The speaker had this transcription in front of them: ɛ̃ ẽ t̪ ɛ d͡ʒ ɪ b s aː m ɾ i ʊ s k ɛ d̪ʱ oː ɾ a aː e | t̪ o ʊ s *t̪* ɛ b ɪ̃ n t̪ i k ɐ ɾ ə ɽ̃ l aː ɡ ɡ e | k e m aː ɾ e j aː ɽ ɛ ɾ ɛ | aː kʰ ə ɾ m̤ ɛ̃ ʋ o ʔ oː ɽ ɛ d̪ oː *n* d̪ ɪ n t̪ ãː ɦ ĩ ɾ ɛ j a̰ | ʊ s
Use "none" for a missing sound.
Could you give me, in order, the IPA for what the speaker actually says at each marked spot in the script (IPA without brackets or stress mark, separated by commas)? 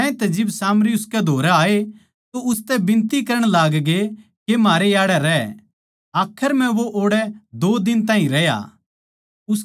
t̪, none